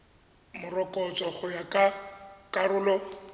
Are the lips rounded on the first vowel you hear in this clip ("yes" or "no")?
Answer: yes